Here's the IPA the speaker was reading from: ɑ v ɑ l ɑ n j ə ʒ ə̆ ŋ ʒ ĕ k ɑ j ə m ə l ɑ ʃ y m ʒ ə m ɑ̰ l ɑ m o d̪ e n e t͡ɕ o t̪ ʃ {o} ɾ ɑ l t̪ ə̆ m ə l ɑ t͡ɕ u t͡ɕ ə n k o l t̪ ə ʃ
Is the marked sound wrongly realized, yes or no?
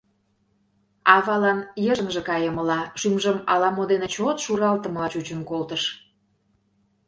yes